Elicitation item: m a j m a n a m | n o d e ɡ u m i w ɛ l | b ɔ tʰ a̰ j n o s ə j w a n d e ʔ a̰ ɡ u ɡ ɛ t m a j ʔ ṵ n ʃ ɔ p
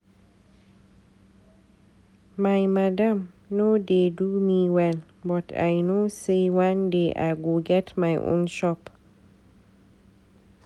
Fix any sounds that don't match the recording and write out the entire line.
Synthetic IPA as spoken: m a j m a d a m | n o d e d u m i w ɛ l | b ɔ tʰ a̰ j n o s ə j w a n d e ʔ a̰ ɡ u ɡ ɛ t m a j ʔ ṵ n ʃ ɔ p

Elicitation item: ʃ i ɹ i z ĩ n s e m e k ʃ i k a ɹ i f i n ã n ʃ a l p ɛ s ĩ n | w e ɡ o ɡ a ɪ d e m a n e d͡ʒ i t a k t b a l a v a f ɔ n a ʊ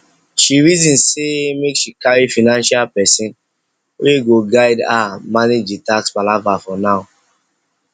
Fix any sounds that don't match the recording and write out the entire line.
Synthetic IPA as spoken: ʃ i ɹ i z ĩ n s e m e k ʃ i k a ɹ i f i n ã n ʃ a l p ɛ s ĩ n | w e ɡ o ɡ a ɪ d a m a n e d͡ʒ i t a k s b a l a v a f ɔ n a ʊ

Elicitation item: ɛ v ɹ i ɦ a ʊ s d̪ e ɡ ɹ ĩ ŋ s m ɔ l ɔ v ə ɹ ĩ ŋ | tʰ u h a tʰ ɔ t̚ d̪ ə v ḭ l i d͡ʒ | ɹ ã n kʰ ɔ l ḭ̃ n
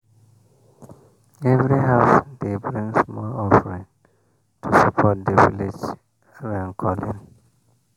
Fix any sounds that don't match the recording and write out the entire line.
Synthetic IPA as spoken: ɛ v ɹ i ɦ a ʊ s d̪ e b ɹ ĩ ŋ s m ɔ l ɔ f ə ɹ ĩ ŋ | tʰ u s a pʰ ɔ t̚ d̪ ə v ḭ l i d͡ʒ | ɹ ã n kʰ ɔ l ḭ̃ n

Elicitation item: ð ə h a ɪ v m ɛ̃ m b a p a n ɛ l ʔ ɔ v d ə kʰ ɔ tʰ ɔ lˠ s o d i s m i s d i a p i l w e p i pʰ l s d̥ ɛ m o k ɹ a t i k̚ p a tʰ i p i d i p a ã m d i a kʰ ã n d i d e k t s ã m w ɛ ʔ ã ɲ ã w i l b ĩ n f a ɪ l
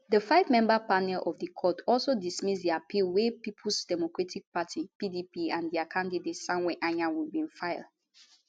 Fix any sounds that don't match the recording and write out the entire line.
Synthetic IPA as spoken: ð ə f a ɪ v m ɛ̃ m b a p a n ɛ l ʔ ɔ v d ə kʰ ɔ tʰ ɔ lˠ s o d i s m i s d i a p i l w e p i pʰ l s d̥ ɛ m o k ɹ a t i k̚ p a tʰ i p i d i p i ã n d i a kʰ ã n d i d e t s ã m w ɛ ʔ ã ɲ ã w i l b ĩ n f a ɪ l

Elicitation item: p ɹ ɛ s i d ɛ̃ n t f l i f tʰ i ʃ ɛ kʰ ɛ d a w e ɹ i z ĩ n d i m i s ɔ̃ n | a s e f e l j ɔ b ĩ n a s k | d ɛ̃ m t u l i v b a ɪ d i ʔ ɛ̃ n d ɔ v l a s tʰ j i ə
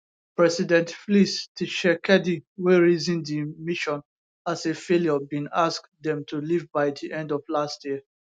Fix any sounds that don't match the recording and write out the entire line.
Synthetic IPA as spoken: p ɹ ɛ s i d ɛ̃ n t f l i s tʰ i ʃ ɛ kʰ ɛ d i w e ɹ i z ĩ n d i m i ʃ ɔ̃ n | a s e f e l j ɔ b ĩ n a s k | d ɛ̃ m t u l i v b a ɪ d i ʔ ɛ̃ n d ɔ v l a s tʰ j i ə

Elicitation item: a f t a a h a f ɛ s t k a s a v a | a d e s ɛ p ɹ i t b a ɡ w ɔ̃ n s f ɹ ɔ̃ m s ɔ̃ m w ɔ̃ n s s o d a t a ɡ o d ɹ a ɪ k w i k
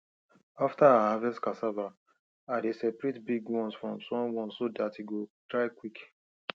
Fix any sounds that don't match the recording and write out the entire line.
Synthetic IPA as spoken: a f t a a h a v ɛ s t k a s a v a | a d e s ɛ p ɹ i t b i ɡ w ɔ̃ n s f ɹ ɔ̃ m s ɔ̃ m w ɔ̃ n s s o d a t i ɡ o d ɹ a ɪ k w i k

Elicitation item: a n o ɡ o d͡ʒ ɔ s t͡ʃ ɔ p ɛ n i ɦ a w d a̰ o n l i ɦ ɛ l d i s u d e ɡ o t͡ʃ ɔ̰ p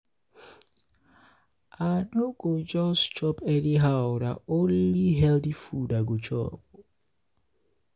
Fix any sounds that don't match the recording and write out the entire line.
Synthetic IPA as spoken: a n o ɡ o d͡ʒ ɔ s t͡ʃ ɔ p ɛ n i ɦ a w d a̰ o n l i ɦ ɛ l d i f u d a ɡ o t͡ʃ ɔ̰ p

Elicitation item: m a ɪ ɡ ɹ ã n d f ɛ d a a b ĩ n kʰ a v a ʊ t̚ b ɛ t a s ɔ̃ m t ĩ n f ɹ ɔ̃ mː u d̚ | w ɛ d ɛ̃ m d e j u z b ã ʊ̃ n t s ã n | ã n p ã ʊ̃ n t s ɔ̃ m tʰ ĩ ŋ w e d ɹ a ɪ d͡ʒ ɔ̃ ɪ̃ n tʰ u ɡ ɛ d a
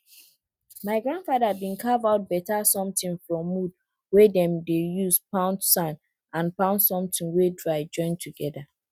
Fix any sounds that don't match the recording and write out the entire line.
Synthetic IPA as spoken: m a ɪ ɡ ɹ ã n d f a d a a b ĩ n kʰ a v a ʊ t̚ b ɛ t a s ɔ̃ m t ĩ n f ɹ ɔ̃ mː u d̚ | w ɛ d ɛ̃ m d e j u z p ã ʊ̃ n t s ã n | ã n p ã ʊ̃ n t s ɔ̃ m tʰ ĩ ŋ w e d ɹ a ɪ d͡ʒ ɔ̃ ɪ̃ n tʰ u ɡ ɛ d a

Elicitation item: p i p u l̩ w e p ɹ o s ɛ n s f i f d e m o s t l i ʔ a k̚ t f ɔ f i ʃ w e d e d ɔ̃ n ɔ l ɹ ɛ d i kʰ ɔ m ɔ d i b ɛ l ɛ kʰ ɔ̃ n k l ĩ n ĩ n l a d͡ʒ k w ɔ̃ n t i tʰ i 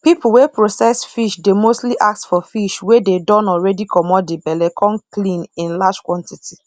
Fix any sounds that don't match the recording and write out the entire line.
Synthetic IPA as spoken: p i p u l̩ w e p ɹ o s ɛ s f i ʃ d e m o s t l i ʔ a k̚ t f ɔ f i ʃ w e d e d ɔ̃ n ɔ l ɹ ɛ d i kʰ ɔ m ɔ d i b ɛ l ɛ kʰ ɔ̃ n k l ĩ n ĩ n l a d͡ʒ k w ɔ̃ n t i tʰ i

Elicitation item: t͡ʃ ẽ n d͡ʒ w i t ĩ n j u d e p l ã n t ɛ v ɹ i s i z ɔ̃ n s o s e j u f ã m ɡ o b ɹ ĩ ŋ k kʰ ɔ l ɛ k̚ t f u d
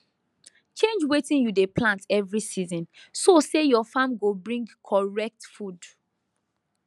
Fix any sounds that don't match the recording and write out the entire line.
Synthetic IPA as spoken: t͡ʃ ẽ n d͡ʒ w e t ĩ n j u d e p l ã n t ɛ v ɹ i s i z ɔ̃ n s o s e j ɔ f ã m ɡ o b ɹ ĩ ŋ ɡ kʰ ɔ ɹ ɛ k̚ t f u d

